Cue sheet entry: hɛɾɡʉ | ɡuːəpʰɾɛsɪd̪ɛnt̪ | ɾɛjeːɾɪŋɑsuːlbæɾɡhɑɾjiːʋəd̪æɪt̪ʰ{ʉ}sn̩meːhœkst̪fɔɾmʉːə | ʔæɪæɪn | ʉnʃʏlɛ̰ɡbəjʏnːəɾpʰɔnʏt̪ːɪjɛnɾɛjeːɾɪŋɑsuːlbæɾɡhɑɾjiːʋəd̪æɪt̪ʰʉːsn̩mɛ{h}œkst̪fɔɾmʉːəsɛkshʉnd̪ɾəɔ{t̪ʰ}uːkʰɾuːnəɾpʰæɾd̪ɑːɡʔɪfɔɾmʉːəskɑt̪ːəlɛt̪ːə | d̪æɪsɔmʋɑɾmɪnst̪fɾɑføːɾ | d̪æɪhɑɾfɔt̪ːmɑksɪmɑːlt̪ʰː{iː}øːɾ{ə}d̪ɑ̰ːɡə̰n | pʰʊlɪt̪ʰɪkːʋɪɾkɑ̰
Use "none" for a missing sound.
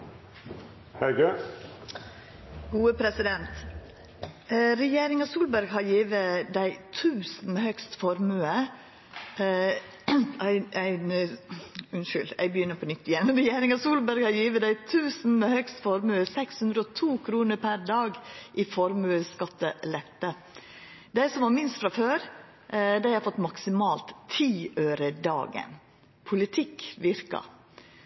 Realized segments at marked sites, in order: ʉː, h, t̪ʰ, iː, ə

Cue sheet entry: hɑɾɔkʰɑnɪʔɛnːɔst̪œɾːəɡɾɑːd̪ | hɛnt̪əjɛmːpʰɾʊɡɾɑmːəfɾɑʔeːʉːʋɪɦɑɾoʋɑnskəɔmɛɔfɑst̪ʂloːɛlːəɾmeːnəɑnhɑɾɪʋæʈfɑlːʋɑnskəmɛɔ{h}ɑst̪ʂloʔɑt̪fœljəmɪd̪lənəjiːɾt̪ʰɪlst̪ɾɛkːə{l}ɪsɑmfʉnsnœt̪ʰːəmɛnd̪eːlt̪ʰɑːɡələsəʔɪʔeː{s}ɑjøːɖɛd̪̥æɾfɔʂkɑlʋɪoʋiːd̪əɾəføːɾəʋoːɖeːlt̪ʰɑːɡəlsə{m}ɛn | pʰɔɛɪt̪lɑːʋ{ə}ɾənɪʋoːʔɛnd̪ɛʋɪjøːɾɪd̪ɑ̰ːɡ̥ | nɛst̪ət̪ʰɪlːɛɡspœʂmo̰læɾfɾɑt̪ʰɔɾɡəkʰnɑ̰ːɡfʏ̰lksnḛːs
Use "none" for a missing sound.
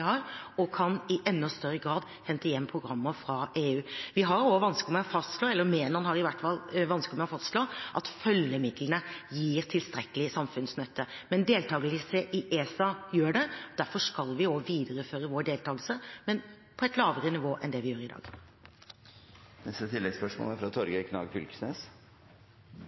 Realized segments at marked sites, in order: f, l, s, m, ə

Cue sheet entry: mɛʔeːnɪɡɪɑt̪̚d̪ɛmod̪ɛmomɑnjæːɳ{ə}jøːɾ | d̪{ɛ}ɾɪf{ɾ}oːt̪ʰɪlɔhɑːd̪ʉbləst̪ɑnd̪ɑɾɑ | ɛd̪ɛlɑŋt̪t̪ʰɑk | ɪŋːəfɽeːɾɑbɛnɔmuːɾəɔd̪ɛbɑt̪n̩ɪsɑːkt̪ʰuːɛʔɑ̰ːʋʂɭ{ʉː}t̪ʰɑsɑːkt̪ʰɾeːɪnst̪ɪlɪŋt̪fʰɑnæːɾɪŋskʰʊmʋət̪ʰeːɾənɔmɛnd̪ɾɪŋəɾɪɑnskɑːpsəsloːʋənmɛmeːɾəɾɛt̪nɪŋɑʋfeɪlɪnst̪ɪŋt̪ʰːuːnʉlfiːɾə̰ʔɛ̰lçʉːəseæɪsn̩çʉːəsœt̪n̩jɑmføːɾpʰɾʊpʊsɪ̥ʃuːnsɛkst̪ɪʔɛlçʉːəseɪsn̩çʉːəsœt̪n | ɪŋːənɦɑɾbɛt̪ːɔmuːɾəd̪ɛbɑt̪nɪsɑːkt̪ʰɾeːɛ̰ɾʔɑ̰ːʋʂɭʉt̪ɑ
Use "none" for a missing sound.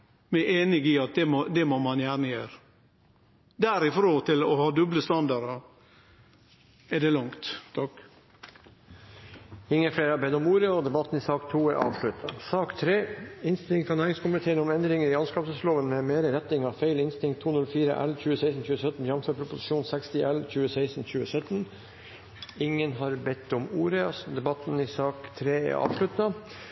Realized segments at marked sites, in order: ə, æ, ɾ, ʉ

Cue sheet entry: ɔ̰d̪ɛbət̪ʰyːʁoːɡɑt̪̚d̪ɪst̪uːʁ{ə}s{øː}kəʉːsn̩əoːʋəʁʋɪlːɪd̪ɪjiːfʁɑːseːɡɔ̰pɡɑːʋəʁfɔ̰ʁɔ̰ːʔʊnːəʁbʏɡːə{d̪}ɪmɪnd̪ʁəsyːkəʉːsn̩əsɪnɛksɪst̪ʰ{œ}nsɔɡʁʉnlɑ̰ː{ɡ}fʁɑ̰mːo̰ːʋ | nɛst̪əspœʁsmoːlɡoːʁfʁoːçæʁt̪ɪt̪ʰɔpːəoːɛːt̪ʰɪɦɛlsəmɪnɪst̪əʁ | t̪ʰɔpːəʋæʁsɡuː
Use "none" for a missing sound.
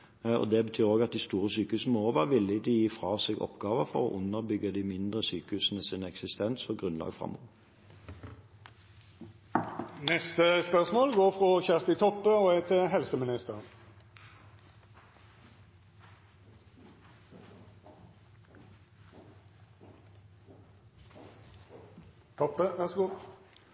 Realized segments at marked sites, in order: ə, yː, d̪, ɛ, ɡ

